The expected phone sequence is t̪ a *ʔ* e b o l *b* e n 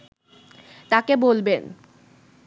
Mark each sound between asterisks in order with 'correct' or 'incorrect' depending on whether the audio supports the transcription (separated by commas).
incorrect, correct